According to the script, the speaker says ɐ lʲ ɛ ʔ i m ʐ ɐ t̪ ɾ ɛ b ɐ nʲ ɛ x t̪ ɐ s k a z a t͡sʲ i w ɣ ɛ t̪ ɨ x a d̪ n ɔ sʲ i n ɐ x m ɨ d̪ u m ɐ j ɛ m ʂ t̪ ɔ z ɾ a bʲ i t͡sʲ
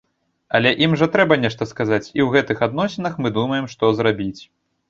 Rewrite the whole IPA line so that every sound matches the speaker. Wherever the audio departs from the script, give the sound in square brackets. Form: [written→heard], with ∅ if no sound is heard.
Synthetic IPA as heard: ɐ lʲ ɛ ʔ i m ʐ ɐ t̪ ɾ ɛ b ɐ nʲ ɛ [x→ʂ] t̪ ɐ s k a z a t͡sʲ i w ɣ ɛ t̪ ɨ x a d̪ n ɔ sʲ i n ɐ x m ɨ d̪ u m ɐ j ɛ m ʂ t̪ ɔ z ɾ a bʲ i t͡sʲ